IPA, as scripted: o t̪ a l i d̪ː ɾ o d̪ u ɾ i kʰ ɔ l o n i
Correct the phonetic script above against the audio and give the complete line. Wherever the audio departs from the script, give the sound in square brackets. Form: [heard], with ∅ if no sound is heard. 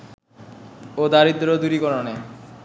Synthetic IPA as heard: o [d̪] a [ɾ] i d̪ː ɾ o d̪ u ɾ i [k] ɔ [ɾ] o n [e]

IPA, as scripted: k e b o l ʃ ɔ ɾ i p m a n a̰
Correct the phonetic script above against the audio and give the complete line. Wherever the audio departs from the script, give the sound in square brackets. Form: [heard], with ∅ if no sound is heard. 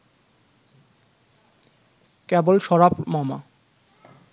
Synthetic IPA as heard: k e b o l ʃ ɔ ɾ [a] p m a [m] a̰

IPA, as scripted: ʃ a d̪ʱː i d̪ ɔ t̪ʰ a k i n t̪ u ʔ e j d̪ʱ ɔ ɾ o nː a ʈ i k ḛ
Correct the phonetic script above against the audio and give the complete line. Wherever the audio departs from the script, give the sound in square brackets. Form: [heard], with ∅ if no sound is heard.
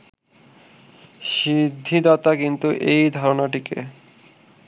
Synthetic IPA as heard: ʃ [i] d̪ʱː i d̪ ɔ [t̪] a k i n t̪ u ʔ e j d̪ʱ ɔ ɾ o [n] a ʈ i k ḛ

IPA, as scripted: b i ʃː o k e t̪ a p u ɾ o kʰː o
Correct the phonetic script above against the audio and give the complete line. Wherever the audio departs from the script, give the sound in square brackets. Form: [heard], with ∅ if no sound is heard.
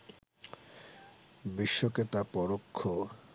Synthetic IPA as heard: b i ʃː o k e t̪ a p [ɔ] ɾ o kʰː o

